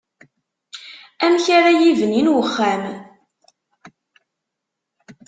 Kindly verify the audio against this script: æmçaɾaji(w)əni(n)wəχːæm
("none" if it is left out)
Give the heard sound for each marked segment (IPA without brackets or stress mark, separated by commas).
v, n